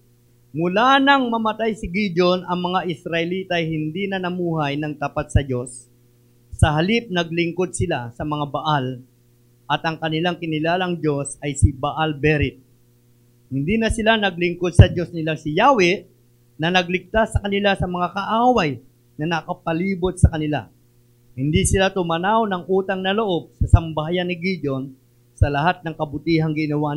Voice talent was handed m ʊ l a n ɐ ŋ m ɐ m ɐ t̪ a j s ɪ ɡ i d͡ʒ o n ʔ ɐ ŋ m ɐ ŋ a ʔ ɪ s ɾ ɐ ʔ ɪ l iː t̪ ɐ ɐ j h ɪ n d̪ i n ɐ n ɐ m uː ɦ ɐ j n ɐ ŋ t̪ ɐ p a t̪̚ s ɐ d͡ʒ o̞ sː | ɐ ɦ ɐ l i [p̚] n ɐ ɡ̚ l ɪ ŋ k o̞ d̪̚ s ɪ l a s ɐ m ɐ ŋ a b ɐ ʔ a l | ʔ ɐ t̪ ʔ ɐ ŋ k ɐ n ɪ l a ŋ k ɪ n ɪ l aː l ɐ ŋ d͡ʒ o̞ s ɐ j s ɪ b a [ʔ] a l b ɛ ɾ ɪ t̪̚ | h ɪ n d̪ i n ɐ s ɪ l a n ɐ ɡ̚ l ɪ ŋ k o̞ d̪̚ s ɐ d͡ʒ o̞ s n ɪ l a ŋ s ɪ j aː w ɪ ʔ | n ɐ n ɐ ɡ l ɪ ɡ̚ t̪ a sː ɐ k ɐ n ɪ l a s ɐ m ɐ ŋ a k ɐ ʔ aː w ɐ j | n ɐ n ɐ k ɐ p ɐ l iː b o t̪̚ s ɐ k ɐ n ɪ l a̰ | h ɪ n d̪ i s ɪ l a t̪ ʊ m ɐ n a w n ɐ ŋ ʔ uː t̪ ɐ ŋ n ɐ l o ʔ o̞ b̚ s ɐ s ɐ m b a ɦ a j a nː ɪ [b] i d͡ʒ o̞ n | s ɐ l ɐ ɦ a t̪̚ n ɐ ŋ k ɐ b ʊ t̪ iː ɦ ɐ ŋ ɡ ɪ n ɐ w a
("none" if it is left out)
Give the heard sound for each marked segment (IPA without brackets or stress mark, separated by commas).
p̚, ʔ, ɡ